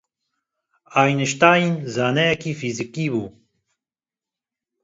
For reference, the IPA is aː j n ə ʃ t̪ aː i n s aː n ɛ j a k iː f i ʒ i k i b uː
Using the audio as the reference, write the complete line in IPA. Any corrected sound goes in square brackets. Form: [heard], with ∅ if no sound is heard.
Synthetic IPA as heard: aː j n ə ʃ t̪ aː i n [z] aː n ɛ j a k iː f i [z] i k i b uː